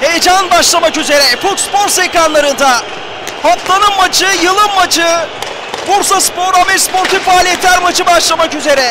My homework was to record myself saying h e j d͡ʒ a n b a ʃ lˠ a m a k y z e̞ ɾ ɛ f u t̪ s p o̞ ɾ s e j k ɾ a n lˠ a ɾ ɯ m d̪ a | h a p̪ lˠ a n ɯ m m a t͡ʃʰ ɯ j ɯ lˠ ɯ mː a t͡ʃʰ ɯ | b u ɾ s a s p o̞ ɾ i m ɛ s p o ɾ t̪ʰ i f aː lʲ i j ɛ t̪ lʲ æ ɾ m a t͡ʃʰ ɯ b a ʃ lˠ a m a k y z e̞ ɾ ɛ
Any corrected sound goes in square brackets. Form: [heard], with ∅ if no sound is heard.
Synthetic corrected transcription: h e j d͡ʒ a n b a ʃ lˠ a m a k y z e̞ ɾ ɛ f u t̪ s p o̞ ɾ s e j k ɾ a n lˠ a ɾ ɯ [n] d̪ a | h a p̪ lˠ a n ɯ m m a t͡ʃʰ ɯ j ɯ lˠ ɯ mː a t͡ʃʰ ɯ | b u ɾ s a s p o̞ ɾ [a] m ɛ s p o ɾ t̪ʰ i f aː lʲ i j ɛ t̪ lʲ æ ɾ m a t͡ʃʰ ɯ b a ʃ lˠ a m a k y z e̞ ɾ ɛ